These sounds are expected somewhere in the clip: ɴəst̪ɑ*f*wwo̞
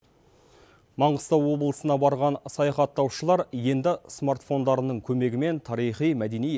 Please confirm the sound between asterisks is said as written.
no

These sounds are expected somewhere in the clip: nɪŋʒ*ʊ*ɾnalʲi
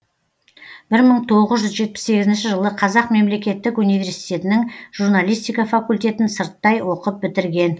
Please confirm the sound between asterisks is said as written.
no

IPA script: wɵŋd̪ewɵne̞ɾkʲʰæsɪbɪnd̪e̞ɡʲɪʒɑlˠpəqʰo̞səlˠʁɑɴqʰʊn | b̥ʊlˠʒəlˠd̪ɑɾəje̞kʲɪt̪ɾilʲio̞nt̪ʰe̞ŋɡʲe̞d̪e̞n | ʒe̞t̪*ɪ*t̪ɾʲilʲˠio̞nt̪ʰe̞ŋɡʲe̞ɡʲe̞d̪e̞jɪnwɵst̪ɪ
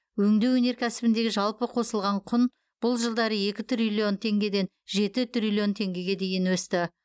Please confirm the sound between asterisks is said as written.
yes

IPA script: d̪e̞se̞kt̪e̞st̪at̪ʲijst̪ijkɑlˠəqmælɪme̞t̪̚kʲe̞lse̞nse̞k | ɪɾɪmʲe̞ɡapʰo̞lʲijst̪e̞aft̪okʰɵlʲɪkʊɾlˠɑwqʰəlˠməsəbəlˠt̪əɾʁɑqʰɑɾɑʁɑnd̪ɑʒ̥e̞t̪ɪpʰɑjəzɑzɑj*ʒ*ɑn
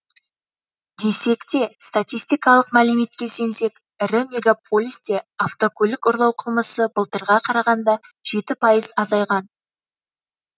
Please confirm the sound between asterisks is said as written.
no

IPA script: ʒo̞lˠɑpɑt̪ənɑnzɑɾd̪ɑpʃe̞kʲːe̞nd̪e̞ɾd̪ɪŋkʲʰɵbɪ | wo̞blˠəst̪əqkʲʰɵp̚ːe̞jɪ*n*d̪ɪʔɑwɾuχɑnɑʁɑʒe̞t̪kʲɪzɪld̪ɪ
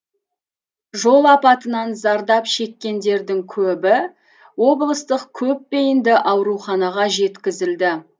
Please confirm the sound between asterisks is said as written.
yes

